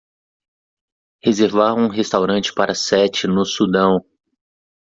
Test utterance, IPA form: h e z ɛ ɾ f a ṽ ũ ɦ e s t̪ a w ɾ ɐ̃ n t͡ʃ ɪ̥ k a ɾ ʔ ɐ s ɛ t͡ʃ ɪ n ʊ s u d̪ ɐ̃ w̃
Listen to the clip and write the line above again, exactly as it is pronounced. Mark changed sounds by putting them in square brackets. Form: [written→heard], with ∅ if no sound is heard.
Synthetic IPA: h e z [ɛ→e] ɾ [f→v] a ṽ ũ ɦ e s t̪ a w ɾ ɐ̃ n t͡ʃ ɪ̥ [k→p] a ɾ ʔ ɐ s ɛ t͡ʃ ɪ n ʊ s u d̪ ɐ̃ w̃